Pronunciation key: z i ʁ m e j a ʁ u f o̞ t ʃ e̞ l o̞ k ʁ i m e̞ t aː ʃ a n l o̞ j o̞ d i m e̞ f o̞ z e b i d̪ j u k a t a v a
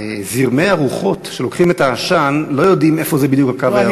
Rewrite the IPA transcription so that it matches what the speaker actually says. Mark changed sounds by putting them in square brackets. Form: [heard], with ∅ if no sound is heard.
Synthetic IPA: z i ʁ m e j a ʁ u [χ] o̞ t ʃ e̞ l o̞ k [χ] i m e̞ t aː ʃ a n l o̞ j o̞ d i m e̞ f o̞ z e b i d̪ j u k a [k] a v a